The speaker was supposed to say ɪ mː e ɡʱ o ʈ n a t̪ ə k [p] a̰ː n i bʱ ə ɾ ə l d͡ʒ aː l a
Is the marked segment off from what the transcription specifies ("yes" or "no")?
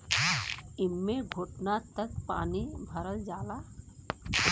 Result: no